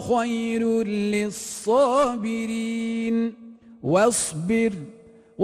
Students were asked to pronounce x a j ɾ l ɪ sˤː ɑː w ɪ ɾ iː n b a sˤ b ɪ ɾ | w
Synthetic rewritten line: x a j ɾ l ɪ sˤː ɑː b ɪ ɾ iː n w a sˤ b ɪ ɾ | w